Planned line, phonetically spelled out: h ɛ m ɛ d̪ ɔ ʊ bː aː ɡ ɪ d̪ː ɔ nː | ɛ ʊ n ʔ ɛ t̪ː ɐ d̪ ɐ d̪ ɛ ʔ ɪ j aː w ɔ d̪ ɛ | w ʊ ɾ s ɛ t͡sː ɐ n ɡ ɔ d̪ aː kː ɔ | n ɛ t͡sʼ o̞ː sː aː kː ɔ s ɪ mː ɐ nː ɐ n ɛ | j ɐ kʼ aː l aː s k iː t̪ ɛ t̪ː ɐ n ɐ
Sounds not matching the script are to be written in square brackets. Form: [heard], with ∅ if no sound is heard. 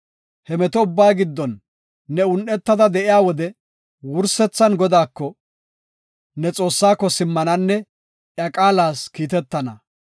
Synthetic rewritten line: h ɛ m ɛ [t̪] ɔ ʊ bː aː ɡ ɪ d̪ː ɔ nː | ɛ ʊ n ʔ ɛ t̪ː ɐ d̪ ɐ d̪ ɛ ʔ ɪ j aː w ɔ d̪ ɛ | w ʊ ɾ s ɛ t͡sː ɐ n ɡ ɔ d̪ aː kː ɔ | n ɛ t͡sʼ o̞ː sː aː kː ɔ s ɪ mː ɐ [n] ɐ [nː] ɛ | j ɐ kʼ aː l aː s k iː t̪ ɛ t̪ː ɐ n ɐ